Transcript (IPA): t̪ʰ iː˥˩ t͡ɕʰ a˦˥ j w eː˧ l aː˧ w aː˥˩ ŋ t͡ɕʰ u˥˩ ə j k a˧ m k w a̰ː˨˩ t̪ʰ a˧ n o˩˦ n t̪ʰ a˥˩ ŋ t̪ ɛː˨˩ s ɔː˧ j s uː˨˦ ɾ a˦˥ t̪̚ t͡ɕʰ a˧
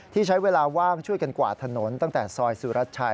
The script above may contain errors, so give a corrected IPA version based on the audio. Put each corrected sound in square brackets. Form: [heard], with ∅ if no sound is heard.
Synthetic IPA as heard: t̪ʰ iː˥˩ t͡ɕʰ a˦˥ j w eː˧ l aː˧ w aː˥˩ ŋ t͡ɕʰ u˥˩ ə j k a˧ [n] k w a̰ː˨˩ t̪ʰ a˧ n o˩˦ n [t̪] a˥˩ ŋ t̪ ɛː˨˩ s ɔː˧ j s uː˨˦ ɾ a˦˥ t̪̚ t͡ɕʰ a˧